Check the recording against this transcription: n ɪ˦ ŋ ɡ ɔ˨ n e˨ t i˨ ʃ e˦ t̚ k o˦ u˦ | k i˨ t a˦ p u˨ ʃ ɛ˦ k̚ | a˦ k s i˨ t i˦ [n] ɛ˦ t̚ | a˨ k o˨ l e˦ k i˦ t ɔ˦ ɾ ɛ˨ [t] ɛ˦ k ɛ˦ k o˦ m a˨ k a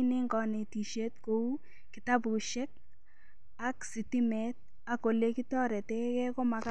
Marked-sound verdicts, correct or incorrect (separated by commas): incorrect, correct